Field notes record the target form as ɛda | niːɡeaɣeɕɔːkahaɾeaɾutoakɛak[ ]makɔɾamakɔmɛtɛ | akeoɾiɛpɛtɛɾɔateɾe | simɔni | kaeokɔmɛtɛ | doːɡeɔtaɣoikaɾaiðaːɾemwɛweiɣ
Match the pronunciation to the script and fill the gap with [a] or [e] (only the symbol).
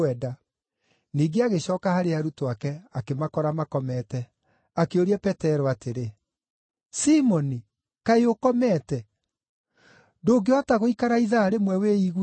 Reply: e